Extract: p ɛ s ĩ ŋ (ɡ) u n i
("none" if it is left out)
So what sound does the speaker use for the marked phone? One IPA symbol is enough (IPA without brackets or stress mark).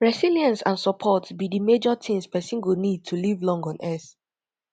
ɡ